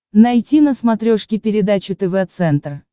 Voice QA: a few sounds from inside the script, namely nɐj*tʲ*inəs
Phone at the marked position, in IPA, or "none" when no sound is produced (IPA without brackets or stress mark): tʲ